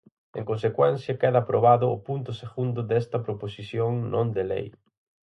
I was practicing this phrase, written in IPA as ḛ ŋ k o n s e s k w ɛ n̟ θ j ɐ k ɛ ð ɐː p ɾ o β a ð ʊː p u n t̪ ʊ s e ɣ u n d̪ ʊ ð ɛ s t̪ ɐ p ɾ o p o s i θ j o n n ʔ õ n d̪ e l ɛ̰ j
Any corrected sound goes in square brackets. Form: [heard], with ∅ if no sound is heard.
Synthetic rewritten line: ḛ ŋ k o n s e [∅] k w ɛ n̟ θ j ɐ k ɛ ð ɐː p ɾ o β a ð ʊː p u n t̪ ʊ s e ɣ u n d̪ ʊ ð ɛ s t̪ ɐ p ɾ o p o s i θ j o [ŋ] n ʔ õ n d̪ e l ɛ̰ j